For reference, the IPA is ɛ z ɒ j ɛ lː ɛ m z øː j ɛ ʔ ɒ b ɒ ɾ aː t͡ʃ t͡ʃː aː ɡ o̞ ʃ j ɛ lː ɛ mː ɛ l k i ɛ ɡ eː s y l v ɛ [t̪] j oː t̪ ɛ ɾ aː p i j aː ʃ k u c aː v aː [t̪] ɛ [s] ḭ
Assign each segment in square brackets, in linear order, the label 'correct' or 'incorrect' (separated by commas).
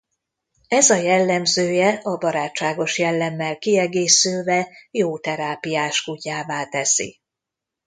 incorrect, correct, correct